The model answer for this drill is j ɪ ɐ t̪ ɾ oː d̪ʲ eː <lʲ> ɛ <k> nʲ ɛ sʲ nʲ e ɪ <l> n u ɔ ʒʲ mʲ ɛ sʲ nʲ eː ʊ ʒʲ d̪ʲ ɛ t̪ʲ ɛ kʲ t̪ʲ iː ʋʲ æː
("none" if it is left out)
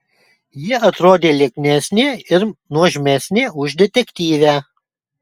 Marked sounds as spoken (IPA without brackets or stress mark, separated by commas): lʲ, k, ɾ